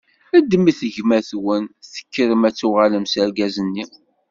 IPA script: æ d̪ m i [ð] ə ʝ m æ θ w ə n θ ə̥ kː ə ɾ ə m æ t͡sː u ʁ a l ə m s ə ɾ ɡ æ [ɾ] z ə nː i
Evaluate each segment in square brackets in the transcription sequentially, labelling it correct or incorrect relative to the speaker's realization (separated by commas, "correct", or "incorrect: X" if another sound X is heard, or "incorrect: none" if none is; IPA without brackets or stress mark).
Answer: incorrect: θ, incorrect: none